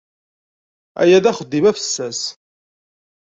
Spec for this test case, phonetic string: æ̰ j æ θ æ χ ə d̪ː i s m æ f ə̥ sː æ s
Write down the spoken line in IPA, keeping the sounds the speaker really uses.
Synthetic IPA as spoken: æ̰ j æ ð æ χ ə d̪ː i m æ f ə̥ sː æ s